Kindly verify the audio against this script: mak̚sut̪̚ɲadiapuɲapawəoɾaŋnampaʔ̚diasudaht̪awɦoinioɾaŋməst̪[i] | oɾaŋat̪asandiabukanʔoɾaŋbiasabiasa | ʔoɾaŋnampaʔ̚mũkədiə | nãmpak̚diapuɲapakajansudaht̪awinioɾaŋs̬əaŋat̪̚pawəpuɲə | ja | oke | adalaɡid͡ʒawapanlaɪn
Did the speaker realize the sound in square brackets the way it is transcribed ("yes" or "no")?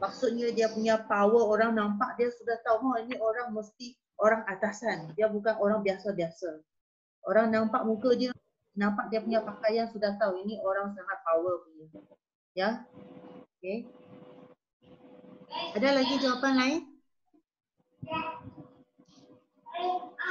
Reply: yes